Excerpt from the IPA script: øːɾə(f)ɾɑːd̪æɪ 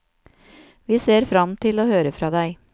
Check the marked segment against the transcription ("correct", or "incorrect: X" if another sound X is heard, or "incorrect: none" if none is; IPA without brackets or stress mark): correct